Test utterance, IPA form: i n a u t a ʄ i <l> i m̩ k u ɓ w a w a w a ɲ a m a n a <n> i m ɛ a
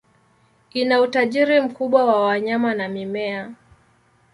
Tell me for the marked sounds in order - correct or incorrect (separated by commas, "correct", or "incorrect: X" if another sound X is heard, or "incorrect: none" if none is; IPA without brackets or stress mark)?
incorrect: ɾ, incorrect: m